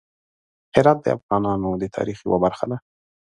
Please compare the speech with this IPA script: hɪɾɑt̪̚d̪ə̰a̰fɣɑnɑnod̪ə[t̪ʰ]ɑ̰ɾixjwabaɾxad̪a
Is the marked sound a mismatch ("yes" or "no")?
no